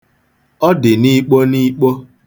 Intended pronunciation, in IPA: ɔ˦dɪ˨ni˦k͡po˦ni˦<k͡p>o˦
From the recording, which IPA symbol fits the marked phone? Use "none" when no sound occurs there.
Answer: k͡p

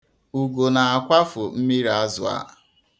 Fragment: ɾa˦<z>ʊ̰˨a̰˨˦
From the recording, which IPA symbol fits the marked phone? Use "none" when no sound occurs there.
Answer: z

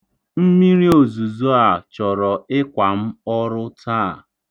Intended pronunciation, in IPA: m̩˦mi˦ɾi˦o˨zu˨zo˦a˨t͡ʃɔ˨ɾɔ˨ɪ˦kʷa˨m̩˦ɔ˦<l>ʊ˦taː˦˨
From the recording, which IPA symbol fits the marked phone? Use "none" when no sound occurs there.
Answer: ɾ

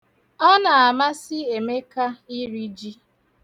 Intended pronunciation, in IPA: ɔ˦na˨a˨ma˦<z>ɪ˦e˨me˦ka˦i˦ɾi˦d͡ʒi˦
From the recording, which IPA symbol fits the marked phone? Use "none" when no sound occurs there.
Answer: s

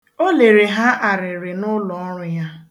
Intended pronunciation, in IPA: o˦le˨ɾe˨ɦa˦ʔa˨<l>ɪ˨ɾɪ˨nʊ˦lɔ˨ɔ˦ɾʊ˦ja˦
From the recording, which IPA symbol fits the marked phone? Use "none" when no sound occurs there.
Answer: ɾ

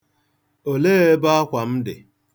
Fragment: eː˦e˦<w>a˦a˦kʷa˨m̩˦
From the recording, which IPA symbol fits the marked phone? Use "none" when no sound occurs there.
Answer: b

